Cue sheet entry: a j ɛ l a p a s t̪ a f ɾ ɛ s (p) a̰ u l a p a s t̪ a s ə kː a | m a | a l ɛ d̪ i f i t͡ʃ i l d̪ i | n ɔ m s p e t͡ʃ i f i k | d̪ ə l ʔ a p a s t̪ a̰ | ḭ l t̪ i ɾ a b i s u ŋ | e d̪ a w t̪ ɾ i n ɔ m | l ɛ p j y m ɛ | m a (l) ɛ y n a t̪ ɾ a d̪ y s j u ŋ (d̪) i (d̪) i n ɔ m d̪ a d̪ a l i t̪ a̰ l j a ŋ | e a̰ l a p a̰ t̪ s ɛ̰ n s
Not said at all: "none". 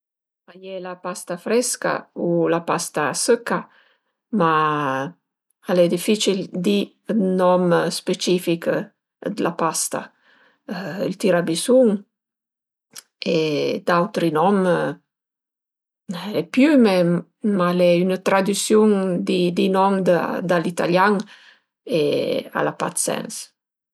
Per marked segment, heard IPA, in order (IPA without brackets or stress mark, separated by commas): k, l, d̪, d̪